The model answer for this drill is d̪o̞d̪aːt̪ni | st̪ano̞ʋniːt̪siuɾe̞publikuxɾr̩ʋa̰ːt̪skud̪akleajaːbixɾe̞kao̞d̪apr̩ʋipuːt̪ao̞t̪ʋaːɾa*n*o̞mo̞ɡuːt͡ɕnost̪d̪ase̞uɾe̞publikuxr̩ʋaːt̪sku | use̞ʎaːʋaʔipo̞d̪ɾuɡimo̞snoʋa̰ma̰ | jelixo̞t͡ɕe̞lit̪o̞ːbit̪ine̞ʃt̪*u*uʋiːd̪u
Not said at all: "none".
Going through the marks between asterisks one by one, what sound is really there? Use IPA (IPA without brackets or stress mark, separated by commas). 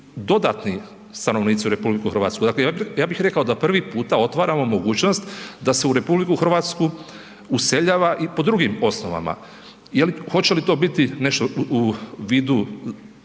m, o